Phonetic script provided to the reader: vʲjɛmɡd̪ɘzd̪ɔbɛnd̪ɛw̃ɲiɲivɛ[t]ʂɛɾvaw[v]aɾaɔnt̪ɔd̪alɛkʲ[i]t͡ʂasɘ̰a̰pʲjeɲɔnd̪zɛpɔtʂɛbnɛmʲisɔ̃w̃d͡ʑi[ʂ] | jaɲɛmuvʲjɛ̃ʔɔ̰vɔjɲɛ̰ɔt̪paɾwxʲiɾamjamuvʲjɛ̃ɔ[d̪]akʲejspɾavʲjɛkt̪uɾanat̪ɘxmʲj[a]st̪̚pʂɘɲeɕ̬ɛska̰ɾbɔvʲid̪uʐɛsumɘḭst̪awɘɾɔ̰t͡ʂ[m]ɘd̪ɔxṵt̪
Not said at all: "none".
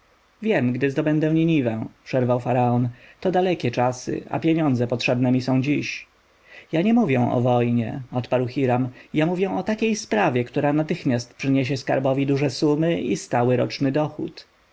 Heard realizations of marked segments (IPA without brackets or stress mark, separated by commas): p, f, ɛ, ɕ, t̪, a, n